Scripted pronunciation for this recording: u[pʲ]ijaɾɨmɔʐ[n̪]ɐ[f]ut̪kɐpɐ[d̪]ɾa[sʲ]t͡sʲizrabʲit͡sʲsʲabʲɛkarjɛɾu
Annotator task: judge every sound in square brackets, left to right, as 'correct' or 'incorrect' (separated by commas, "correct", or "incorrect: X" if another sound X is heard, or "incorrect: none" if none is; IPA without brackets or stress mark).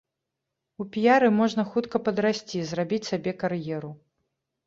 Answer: correct, correct, incorrect: x, correct, correct